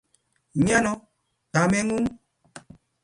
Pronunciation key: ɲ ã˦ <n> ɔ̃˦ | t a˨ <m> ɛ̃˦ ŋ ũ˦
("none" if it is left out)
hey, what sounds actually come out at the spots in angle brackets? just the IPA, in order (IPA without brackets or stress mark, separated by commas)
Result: n, m